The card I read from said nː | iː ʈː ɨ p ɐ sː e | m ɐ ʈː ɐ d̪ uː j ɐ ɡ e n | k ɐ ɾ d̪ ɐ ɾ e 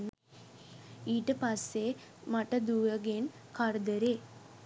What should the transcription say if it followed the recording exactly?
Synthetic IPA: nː | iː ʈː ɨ p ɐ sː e | m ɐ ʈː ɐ d̪ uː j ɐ ɡ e n | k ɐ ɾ d̪ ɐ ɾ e